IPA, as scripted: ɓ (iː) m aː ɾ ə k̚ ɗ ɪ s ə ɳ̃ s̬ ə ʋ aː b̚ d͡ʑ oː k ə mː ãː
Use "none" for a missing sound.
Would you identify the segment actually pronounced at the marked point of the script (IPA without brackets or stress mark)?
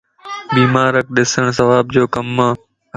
iː